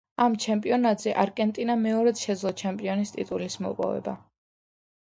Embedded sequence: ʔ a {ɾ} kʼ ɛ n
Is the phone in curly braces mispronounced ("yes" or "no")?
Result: no